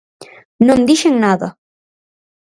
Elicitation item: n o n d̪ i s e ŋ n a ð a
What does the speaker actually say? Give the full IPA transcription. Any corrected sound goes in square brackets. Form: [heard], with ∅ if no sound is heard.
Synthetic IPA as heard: n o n d̪ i [ʃ] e ŋ n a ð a